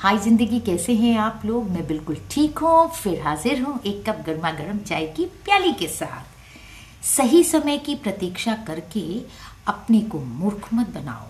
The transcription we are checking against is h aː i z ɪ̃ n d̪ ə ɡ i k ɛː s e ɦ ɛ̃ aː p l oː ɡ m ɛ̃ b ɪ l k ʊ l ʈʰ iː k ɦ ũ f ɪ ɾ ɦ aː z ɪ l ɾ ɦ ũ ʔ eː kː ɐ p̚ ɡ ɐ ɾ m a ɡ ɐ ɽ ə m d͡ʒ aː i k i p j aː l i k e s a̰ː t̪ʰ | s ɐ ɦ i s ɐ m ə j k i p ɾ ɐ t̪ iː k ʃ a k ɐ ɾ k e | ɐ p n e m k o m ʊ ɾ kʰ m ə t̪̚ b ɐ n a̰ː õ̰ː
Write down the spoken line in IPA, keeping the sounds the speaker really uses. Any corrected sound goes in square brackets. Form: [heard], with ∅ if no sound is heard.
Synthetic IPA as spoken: h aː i z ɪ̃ n d̪ ə ɡ i k ɛː s e ɦ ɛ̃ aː p l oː ɡ m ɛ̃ b ɪ l k ʊ l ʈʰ iː k ɦ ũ f ɪ ɾ ɦ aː z ɪ [∅] ɾ ɦ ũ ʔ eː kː ɐ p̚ ɡ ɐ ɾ m a ɡ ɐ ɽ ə m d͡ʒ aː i k i p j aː l i k e s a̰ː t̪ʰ | s ɐ ɦ i s ɐ m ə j k i p ɾ ɐ t̪ iː k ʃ a k ɐ ɾ k e | ɐ p n e [∅] k o m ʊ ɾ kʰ m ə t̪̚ b ɐ n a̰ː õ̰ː